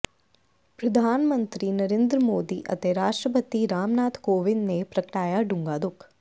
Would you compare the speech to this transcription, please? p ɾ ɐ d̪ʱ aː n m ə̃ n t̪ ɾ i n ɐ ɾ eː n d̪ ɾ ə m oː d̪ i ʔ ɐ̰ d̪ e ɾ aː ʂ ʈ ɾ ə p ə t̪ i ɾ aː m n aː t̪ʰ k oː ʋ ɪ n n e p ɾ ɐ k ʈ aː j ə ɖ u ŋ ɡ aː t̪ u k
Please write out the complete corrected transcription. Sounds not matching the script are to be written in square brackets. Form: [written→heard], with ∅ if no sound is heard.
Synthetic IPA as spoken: p ɾ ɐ d̪ʱ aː n m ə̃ n t̪ ɾ i n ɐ ɾ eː n d̪ ɾ ə m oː d̪ i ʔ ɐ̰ [d̪→t̪] e ɾ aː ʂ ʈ ɾ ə p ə t̪ i ɾ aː m n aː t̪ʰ k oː ʋ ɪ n n e p ɾ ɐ k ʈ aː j [ə→a] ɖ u ŋ ɡ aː [t̪→d̪] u k